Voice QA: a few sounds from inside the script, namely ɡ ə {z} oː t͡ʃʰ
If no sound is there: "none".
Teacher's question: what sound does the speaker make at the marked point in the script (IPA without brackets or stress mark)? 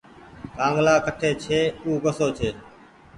s